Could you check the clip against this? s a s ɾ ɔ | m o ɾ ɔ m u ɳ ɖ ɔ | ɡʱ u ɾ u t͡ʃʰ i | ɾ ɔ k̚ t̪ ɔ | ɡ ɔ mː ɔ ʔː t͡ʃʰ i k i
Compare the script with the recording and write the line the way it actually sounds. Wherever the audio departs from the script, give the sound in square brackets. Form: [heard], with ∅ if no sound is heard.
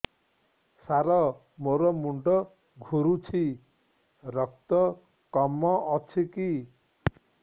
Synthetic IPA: s a [∅] ɾ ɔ | m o ɾ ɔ m u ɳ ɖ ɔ | ɡʱ u ɾ u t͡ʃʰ i | ɾ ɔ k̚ t̪ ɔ | [k] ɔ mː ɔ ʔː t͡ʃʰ i k i